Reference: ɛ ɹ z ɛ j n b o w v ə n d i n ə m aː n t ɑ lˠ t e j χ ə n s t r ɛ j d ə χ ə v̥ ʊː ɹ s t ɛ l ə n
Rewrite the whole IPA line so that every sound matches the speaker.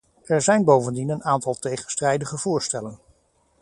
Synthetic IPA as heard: ɛ ɹ z ɛ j n b o w v ə n d i n ə n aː n t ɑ lˠ t e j χ ə n s t r ɛ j d ə χ ə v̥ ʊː ɹ s t ɛ l ə n